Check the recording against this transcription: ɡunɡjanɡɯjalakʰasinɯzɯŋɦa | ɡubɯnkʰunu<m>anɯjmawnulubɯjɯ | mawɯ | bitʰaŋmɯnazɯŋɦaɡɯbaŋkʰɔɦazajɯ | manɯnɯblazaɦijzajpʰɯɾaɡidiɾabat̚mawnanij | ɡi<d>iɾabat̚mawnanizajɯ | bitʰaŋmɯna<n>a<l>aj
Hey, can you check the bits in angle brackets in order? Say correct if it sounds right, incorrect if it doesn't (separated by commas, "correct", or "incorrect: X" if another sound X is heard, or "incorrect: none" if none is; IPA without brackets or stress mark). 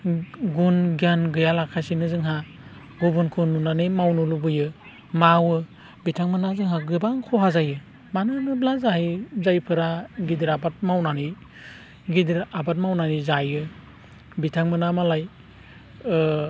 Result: incorrect: n, correct, incorrect: m, correct